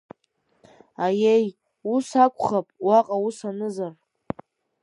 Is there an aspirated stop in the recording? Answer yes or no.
no